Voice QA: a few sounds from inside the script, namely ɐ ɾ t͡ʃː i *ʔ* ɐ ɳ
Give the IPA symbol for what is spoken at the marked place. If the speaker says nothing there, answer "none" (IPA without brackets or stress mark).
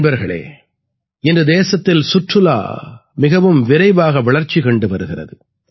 k